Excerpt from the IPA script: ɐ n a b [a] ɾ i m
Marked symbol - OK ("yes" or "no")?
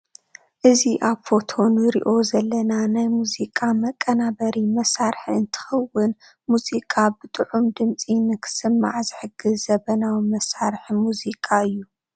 no